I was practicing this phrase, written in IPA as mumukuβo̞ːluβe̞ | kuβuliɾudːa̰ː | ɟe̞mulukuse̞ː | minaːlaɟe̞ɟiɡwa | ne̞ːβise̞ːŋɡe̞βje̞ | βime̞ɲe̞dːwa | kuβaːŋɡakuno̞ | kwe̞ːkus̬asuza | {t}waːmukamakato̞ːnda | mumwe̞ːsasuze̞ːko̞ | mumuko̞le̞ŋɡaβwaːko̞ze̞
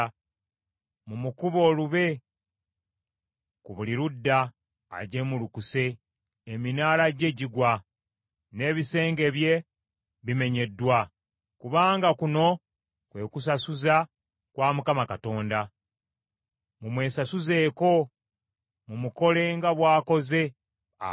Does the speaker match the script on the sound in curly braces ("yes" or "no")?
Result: no